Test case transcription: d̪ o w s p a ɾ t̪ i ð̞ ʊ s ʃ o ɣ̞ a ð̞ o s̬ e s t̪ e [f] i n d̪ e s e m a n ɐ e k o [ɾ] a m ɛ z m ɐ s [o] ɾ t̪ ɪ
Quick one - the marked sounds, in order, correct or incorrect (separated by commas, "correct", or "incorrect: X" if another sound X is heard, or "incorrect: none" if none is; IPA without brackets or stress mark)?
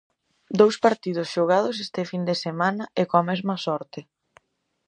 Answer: correct, incorrect: none, incorrect: ɔ